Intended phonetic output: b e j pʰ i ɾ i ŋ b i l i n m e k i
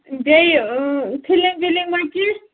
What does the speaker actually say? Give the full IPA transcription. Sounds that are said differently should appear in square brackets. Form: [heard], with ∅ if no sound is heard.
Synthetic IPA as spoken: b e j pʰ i [l] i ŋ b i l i [ŋ] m [a] k i